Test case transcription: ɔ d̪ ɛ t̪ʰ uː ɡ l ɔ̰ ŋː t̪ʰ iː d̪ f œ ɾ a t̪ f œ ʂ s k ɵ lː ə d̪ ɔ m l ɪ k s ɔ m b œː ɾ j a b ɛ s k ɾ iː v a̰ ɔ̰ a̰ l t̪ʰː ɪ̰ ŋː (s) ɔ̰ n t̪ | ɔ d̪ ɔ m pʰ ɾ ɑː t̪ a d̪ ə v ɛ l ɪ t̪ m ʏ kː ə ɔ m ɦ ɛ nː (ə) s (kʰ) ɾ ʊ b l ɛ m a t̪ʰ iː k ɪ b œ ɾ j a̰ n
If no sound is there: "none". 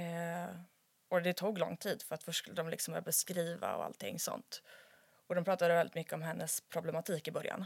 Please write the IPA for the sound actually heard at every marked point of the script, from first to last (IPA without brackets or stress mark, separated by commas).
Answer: s, ə, pʰ